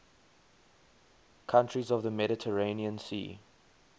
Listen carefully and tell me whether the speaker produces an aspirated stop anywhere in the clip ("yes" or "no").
yes